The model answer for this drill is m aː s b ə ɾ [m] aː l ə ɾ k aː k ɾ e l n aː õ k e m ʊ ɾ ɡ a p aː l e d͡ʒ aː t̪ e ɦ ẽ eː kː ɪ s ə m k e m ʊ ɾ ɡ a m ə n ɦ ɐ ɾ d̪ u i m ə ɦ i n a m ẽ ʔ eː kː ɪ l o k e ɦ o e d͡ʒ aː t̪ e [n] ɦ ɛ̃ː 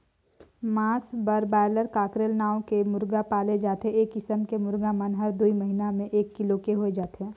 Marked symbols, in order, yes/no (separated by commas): no, no